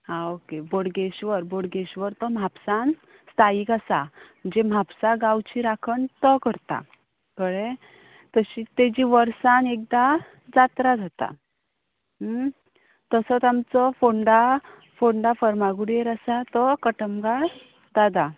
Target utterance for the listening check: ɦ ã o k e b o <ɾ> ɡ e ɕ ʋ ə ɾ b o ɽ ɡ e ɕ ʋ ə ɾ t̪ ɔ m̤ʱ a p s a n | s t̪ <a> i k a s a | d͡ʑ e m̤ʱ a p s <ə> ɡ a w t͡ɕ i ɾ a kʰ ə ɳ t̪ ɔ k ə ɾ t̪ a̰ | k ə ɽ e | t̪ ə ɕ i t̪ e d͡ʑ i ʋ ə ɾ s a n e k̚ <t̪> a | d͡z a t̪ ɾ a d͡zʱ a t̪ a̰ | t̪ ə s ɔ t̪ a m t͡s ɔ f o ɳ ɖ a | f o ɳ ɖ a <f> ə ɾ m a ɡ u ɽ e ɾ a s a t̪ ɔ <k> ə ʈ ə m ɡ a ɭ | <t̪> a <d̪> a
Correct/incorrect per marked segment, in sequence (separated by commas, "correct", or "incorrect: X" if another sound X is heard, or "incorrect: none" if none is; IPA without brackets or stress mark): incorrect: ɽ, correct, incorrect: a, incorrect: d̪, correct, correct, incorrect: d̪, correct